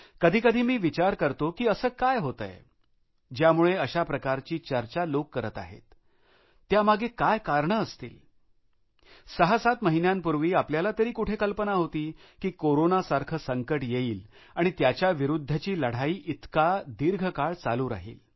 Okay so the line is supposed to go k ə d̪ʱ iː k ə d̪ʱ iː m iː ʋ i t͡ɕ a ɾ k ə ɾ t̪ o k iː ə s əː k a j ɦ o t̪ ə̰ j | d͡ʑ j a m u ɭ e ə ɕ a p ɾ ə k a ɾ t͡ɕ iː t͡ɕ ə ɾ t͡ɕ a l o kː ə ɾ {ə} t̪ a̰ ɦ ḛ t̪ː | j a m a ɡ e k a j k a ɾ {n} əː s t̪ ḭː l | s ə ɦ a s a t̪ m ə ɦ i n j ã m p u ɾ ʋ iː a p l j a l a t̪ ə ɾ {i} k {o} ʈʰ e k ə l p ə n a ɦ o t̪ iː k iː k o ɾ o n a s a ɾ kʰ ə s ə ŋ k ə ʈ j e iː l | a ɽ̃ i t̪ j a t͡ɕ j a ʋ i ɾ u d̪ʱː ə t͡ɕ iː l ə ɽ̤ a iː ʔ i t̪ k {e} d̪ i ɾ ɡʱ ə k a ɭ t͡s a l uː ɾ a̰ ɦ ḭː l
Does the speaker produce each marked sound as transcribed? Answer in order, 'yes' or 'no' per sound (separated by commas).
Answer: yes, no, no, no, no